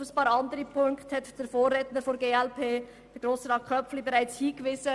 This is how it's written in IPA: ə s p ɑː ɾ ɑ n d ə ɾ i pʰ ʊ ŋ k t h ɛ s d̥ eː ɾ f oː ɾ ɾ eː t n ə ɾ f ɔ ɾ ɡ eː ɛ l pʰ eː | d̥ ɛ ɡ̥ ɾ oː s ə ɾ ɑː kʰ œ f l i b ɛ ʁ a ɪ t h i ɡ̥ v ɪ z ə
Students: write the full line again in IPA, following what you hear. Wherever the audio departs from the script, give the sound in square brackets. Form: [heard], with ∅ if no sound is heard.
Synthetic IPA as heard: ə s p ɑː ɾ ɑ n d ə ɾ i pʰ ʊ ŋ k t h ɛ [t] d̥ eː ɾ f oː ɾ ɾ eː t n ə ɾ f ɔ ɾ ɡ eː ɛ l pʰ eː | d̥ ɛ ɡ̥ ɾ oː s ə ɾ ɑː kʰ œ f l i b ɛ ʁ a ɪ [t͡s] h [iː] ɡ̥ v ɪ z ə